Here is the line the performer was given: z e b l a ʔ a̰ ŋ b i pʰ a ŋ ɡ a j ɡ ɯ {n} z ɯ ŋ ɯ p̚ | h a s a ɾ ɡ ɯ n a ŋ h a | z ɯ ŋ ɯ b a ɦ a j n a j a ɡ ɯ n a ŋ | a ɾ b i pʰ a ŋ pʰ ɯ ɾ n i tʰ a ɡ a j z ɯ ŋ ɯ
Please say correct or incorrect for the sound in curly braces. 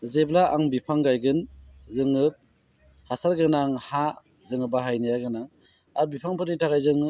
correct